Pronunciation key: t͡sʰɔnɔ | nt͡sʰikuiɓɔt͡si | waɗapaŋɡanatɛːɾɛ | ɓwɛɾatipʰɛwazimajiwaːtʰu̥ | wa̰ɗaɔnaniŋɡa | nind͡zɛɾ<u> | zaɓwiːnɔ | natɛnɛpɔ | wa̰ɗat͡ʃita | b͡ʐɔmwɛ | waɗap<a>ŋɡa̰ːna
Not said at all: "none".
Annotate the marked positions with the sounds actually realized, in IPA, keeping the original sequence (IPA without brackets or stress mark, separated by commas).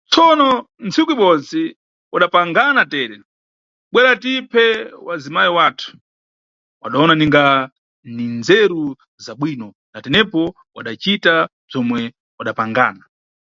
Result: u, a